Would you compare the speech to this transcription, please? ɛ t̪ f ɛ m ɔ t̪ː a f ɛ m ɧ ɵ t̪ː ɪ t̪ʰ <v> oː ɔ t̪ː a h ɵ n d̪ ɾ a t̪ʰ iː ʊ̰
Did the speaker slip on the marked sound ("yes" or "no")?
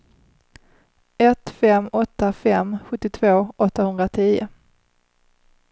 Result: no